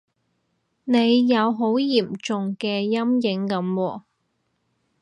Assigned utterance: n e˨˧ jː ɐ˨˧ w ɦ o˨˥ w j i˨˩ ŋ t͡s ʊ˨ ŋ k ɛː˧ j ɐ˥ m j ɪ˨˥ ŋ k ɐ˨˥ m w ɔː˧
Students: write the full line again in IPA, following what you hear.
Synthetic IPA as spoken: n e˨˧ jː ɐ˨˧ w ɦ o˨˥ w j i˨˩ m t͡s ʊ˨ ŋ k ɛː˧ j ɐ˥ m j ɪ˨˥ ŋ k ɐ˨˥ m w ɔː˧